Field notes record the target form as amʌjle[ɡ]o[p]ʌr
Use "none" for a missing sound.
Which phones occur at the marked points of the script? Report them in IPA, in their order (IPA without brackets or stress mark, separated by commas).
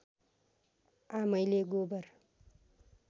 ɡ, b